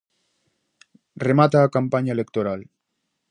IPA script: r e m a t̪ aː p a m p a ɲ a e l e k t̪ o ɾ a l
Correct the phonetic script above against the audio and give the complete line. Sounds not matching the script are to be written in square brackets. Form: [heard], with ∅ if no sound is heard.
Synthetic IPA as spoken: r e m a t̪ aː [k] a m p a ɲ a e l e k t̪ o ɾ a l